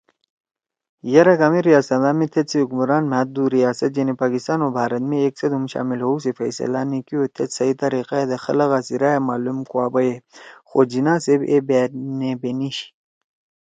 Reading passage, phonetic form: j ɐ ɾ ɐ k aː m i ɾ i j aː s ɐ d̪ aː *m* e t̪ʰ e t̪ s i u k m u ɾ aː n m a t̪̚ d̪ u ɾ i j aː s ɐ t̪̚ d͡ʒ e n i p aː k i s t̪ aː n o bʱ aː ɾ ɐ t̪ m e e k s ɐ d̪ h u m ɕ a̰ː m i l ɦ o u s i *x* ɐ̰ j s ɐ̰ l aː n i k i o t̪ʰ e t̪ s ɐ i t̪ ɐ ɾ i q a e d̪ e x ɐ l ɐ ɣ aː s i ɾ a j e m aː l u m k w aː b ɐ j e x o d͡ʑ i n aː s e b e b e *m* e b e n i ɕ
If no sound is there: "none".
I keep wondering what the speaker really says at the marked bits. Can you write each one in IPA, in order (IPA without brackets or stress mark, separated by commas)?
m, f, n